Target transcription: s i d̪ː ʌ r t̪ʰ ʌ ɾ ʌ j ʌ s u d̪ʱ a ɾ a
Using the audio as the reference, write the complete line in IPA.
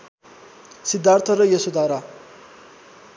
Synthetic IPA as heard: s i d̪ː a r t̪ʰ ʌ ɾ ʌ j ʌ s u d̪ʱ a ɾ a